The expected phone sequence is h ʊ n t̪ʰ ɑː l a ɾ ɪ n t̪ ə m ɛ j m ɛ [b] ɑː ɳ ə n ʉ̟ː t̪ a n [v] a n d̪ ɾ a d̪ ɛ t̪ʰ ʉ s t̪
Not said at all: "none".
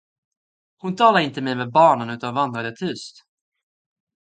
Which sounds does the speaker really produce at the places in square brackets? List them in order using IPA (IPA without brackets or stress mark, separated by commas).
b, v